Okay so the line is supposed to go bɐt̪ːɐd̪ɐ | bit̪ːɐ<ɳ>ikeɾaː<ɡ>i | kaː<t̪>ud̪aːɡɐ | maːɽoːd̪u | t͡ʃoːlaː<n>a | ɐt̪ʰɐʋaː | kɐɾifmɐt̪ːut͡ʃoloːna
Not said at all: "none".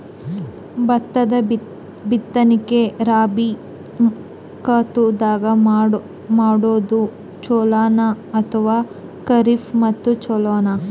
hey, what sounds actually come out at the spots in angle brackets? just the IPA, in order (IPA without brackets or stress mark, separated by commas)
n, b, t̪, n